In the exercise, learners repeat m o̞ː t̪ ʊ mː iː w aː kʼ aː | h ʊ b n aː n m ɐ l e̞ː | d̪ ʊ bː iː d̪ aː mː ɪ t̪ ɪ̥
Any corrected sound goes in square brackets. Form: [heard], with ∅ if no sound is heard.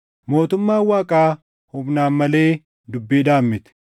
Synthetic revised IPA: m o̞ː t̪ ʊ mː [aː] w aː kʼ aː | h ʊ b n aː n m ɐ l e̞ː | d̪ ʊ bː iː d̪ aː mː ɪ t̪ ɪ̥